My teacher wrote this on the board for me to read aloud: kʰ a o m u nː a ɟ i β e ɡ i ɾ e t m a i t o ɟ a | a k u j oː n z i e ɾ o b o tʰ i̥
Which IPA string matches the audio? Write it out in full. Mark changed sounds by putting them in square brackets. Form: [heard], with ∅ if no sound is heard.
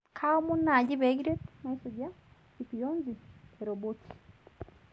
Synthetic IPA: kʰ a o m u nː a ɟ i β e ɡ i ɾ e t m a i [s] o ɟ a | [i] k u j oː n z i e ɾ o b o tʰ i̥